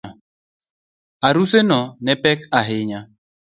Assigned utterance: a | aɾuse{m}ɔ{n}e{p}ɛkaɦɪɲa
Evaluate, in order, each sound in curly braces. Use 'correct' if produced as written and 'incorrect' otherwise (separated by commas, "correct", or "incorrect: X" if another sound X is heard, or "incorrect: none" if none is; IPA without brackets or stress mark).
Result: incorrect: n, correct, correct